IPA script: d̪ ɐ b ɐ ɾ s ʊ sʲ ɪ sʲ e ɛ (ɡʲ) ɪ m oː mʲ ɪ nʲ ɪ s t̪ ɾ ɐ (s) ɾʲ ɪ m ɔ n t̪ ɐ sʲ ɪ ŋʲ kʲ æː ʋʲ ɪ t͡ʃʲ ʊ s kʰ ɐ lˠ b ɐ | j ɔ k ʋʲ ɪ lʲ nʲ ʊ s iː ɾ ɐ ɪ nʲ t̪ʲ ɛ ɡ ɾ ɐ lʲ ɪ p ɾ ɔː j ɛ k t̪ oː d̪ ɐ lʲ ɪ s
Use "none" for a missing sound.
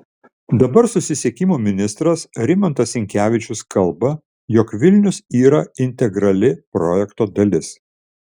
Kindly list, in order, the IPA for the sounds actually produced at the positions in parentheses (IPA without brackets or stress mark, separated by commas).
kʲ, s